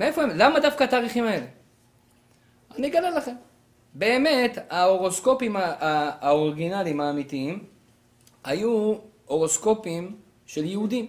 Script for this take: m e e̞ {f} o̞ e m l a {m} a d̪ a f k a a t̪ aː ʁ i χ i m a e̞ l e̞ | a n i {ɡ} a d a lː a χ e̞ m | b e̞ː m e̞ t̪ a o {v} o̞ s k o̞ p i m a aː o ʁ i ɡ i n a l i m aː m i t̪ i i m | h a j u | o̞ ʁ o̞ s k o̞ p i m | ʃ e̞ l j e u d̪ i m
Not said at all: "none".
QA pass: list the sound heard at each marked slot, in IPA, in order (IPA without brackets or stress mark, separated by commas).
f, m, ɡ, ʁ